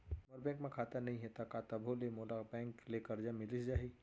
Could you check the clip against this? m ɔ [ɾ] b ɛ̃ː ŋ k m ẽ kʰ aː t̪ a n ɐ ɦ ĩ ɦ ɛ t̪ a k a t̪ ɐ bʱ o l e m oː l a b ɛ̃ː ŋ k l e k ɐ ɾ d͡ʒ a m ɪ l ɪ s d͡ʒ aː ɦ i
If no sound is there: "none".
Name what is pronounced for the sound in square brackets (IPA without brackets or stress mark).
ɾ